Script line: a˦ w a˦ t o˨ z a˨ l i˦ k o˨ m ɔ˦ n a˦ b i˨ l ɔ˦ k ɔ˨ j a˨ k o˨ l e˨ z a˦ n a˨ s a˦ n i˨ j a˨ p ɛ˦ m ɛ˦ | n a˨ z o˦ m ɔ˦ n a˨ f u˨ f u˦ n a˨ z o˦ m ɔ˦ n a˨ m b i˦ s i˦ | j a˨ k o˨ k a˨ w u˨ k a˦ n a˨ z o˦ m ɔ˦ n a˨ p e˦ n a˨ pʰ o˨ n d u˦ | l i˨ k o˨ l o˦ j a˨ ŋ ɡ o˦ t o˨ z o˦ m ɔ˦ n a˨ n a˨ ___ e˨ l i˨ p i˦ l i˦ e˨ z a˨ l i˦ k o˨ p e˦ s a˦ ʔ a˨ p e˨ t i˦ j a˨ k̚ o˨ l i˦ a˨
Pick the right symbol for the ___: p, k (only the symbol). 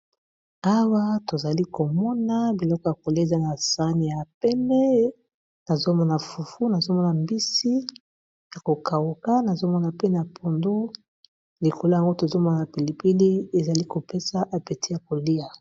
p